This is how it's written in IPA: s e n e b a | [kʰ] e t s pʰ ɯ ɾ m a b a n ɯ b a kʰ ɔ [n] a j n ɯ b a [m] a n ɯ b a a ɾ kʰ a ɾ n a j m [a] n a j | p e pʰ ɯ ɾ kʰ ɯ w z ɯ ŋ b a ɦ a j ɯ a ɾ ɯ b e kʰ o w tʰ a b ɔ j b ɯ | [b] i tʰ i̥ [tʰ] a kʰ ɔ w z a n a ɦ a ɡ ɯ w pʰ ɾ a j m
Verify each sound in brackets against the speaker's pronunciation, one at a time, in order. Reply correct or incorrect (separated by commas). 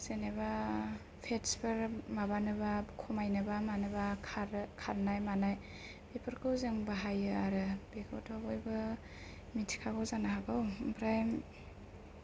incorrect, incorrect, correct, correct, incorrect, incorrect